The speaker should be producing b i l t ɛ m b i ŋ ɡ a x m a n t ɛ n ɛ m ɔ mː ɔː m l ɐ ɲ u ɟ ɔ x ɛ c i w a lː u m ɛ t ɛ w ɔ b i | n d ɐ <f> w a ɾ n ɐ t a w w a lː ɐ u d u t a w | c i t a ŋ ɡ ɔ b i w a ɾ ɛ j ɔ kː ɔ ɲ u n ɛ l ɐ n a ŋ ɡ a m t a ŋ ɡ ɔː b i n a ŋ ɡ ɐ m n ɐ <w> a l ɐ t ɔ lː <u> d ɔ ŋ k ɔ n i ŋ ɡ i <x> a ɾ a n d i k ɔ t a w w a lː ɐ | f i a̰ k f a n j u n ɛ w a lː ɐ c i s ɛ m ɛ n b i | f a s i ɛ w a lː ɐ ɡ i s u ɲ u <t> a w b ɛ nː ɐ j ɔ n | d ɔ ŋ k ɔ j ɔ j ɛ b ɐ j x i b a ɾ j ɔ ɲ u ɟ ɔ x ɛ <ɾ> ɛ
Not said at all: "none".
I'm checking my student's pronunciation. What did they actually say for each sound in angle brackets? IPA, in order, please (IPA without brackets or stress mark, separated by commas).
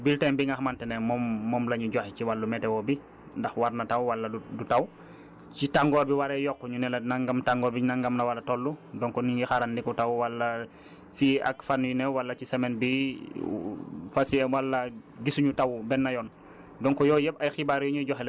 x, w, u, x, t, l